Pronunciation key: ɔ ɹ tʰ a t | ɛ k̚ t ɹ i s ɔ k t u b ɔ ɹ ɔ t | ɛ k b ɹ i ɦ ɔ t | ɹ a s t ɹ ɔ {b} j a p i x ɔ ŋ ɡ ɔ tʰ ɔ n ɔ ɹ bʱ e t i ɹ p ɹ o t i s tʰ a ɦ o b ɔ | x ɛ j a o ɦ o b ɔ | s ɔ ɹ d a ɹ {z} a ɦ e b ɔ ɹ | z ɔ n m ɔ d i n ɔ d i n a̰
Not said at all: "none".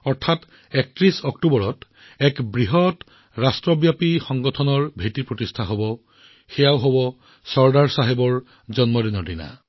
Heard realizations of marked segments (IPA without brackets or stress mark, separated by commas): b, s